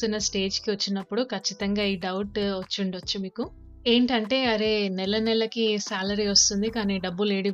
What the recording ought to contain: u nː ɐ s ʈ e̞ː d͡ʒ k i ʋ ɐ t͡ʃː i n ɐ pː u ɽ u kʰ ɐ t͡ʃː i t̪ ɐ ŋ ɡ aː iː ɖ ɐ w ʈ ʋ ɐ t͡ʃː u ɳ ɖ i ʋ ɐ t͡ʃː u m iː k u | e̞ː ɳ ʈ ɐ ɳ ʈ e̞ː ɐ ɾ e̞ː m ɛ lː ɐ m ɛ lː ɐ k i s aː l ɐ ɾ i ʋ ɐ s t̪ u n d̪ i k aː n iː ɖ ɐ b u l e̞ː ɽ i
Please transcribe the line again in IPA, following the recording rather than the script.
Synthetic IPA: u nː ɐ s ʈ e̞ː d͡ʒ k i ʋ ɐ t͡ʃː i n ɐ pː u ɽ u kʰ ɐ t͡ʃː i t̪ ɐ ŋ ɡ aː iː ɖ ɐ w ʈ ʋ ɐ t͡ʃː u ɳ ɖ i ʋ ɐ t͡ʃː u m iː k u | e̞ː ɳ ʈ ɐ ɳ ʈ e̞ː ɐ ɾ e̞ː n ɛ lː ɐ n ɛ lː ɐ k i s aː l ɐ ɾ i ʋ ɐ s t̪ u n d̪ i k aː n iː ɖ ɐ bː u l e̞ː ɽ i